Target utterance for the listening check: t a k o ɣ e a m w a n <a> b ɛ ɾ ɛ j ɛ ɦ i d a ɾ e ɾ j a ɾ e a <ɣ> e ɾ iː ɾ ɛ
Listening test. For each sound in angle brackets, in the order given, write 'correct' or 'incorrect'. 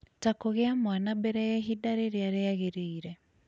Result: correct, correct

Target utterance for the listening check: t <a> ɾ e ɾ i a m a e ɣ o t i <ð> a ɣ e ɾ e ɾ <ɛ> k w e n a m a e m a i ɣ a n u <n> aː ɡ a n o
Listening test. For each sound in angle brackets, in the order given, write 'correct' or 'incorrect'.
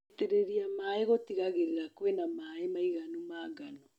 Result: incorrect, incorrect, incorrect, incorrect

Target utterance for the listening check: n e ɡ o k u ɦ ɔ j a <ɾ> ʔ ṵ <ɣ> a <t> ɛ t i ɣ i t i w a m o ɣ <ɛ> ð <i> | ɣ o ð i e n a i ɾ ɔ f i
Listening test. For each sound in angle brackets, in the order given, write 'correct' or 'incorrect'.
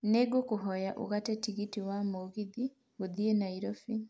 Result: incorrect, correct, correct, incorrect, correct

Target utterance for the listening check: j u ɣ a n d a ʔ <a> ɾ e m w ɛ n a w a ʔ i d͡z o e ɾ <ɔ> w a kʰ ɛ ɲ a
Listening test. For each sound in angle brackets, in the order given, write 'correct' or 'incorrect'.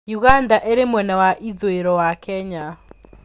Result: incorrect, correct

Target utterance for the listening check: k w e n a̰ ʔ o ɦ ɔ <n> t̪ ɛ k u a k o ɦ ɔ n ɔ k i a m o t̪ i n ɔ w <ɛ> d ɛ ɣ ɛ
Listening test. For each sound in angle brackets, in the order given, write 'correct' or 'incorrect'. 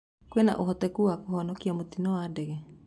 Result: incorrect, incorrect

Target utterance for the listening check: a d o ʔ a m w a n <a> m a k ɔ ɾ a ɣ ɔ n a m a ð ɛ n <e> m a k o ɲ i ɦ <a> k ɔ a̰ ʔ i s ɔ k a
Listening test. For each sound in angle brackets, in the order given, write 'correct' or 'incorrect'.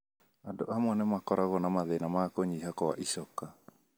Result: incorrect, incorrect, correct

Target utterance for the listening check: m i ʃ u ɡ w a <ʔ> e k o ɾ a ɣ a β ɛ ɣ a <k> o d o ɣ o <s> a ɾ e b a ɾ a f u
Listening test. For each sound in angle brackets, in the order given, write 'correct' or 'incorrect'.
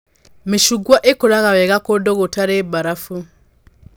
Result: correct, correct, incorrect

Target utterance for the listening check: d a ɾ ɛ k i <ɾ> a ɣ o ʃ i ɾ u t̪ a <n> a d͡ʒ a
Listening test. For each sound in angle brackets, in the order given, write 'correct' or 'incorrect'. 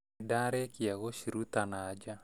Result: incorrect, correct

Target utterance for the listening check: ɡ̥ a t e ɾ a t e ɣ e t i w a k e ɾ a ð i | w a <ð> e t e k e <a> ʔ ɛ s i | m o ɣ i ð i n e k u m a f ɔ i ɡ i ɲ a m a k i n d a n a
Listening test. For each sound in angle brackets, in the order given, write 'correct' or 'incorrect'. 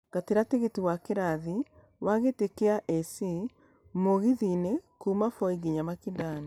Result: incorrect, correct

